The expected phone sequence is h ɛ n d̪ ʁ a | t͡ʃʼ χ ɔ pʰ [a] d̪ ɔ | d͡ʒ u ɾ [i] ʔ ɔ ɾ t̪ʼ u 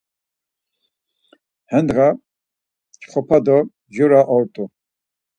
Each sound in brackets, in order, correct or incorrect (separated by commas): correct, incorrect